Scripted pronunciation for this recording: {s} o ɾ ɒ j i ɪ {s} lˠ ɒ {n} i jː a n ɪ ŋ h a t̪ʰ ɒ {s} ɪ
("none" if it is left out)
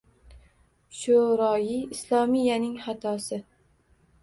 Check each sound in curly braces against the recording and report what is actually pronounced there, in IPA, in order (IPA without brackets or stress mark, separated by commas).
ʃ, s, m, s